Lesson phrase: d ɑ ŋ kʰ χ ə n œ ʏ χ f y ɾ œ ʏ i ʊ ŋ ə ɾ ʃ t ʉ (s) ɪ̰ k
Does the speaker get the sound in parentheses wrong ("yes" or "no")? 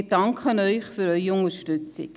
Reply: yes